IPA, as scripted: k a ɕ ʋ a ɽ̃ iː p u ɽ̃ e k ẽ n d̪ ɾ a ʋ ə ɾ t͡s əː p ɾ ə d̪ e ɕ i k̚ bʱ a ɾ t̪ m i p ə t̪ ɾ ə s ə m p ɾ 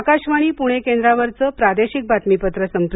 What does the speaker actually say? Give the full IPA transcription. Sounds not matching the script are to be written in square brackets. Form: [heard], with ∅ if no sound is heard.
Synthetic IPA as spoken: k a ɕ ʋ a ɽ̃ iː p u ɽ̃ e k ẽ n d̪ ɾ a ʋ ə ɾ t͡s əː p ɾ [a] d̪ e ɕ i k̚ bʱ a [∅] t̪ m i p ə t̪ ɾ ə s ə m p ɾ